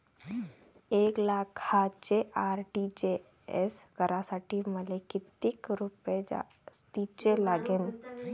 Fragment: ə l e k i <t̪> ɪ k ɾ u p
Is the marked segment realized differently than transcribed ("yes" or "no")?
no